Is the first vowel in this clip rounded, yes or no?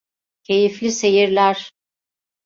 no